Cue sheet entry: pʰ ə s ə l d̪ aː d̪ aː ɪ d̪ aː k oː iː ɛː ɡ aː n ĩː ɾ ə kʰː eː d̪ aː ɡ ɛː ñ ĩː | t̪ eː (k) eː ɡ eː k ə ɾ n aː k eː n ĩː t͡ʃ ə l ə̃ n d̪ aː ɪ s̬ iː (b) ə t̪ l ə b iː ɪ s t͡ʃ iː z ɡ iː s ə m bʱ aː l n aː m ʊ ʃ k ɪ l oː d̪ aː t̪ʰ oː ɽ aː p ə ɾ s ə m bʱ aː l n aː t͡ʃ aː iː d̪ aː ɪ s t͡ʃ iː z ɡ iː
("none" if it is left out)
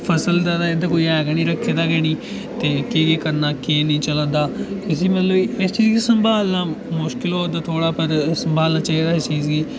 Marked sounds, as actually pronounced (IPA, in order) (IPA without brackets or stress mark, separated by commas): k, m